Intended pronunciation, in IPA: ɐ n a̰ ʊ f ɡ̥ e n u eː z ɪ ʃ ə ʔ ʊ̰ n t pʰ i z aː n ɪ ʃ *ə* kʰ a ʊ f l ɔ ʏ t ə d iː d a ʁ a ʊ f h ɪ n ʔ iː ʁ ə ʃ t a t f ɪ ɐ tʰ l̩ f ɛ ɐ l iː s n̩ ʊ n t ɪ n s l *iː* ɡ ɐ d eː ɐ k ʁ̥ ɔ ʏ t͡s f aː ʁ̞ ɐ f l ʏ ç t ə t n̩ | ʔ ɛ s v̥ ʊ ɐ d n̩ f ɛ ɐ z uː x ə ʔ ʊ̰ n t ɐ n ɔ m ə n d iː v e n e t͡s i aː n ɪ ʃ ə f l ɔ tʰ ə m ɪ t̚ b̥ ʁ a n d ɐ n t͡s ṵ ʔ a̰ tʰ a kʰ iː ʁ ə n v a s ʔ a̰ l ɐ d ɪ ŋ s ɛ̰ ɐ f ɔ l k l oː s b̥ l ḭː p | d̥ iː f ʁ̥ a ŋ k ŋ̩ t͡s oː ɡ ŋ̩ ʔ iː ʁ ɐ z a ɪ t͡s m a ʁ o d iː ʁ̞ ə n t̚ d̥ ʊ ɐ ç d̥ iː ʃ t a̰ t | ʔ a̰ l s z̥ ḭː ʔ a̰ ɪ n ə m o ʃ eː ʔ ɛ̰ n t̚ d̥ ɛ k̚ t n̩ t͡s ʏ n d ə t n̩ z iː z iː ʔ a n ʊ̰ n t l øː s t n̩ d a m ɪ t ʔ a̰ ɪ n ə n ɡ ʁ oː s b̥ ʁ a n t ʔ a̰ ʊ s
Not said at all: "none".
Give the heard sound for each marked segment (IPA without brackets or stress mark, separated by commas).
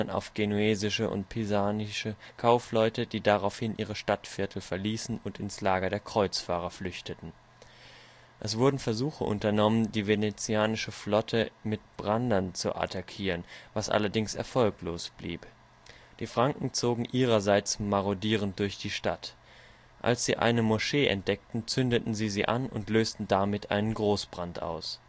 ə, aː